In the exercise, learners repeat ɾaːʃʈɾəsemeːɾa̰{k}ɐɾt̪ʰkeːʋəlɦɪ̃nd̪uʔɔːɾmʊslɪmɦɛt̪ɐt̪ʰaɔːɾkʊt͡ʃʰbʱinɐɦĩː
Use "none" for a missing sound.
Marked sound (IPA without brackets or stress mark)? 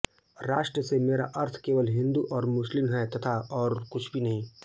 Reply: ʔ